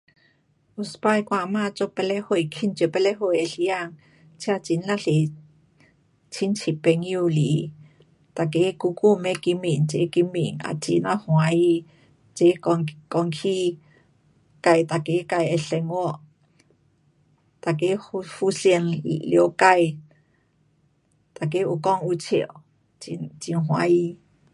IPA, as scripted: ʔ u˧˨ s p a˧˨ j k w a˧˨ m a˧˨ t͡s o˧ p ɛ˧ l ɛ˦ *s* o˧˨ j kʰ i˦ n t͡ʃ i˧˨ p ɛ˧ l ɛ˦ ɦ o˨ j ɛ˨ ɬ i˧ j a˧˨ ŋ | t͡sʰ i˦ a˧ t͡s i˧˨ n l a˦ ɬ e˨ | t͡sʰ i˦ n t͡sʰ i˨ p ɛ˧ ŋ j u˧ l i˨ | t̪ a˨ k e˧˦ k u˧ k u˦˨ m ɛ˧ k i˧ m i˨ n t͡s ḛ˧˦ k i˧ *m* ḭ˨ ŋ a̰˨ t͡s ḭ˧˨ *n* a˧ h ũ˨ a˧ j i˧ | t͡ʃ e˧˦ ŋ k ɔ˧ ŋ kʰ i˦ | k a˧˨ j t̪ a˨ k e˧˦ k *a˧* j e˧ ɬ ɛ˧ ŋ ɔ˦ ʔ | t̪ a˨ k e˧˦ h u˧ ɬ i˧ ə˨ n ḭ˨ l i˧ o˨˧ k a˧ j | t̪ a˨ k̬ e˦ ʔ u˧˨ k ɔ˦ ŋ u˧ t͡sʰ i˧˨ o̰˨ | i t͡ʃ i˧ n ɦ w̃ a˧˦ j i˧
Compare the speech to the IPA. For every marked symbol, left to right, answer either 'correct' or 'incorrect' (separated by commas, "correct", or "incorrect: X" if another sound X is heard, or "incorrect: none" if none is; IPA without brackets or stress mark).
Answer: incorrect: h, correct, correct, correct